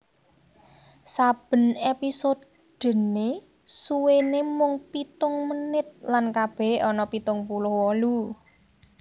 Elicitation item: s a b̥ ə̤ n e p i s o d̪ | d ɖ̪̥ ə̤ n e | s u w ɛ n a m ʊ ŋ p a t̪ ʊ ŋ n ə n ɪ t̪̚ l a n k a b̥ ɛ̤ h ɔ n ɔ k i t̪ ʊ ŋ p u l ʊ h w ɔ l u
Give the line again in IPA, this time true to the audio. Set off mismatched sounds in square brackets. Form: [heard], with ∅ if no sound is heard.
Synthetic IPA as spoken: s a b̥ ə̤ n e p i s o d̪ | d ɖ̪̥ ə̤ n e | s u w [e] n [e] m ʊ ŋ p [i] t̪ ʊ ŋ [m] ə n ɪ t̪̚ l a n k a b̥ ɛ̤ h ɔ n ɔ [p] i t̪ ʊ ŋ p u l ʊ h w ɔ l u